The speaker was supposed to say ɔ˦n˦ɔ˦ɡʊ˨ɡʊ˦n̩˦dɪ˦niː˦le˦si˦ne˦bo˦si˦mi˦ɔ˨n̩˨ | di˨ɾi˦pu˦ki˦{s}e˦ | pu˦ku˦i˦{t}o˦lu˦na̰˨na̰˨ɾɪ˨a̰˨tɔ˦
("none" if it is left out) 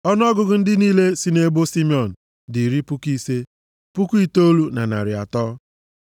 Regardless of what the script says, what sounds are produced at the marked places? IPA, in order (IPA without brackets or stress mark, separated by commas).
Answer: s, t